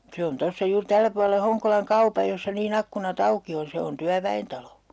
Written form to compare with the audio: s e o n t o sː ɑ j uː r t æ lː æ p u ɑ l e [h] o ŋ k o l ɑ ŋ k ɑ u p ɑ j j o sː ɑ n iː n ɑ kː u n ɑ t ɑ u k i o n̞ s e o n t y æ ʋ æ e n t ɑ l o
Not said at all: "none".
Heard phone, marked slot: h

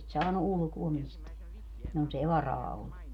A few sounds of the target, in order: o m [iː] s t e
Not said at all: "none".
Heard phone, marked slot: i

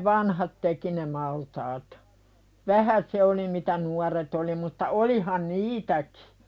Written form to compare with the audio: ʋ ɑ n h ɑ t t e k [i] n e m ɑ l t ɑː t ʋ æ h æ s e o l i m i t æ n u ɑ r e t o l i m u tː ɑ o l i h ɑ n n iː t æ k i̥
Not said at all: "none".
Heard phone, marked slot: i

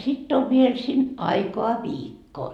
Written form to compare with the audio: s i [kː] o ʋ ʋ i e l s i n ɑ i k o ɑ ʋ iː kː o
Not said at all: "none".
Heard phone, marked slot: tː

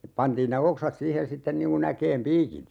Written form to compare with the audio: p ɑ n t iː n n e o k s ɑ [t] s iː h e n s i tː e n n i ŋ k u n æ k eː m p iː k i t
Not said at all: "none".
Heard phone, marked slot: t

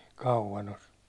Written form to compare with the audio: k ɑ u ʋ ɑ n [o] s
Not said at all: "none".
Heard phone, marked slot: o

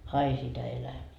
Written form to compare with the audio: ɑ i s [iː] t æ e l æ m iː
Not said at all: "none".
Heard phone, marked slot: i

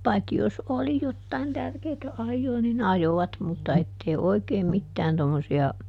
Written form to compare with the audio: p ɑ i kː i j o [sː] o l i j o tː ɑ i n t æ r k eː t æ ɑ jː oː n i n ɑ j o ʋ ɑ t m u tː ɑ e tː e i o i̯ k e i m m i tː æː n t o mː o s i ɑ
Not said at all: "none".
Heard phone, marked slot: s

